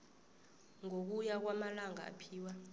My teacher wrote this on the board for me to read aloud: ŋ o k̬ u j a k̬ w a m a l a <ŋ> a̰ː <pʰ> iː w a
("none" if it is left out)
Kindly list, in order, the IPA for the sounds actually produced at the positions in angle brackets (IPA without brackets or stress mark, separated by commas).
ŋ, pʰ